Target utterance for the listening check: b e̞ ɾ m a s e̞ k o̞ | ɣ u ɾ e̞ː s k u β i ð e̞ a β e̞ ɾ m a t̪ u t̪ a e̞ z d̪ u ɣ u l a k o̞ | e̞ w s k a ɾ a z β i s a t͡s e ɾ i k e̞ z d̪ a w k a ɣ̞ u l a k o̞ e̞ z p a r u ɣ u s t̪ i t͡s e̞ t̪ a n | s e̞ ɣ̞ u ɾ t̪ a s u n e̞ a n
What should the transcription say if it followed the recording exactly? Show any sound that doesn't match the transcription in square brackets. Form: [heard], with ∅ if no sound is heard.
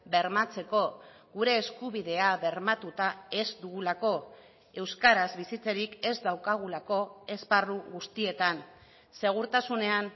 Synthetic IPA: b e̞ ɾ m a [t͡s] e̞ k o̞ | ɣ u ɾ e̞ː s k u β i ð e̞ a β e̞ ɾ m a t̪ u t̪ a e̞ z d̪ u ɣ u l a k o̞ | e̞ w s k a ɾ a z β i s [i] t͡s e ɾ i k e̞ z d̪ a w k a ɣ̞ u l a k o̞ e̞ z p a r u ɣ u s t̪ i [∅] e̞ t̪ a n | s e̞ ɣ̞ u ɾ t̪ a s u n e̞ a n